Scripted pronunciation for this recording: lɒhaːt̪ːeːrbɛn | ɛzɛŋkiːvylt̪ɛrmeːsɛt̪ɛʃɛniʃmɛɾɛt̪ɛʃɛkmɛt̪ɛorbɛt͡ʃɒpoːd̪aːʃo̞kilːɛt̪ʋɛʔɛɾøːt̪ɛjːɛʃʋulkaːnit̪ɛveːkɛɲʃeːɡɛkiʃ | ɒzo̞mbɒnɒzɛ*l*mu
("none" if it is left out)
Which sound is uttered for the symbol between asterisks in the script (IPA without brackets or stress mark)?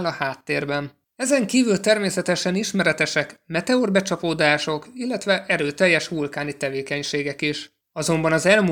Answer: l